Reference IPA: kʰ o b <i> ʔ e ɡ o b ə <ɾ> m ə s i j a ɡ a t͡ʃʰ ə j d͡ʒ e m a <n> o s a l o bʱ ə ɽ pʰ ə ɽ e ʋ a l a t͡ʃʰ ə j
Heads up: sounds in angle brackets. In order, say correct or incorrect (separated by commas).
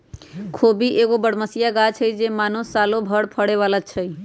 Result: correct, incorrect, correct